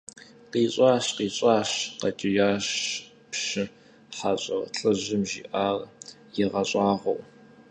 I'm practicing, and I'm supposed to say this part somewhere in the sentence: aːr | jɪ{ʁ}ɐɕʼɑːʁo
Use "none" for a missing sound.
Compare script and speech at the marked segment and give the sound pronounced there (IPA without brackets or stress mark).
ʁ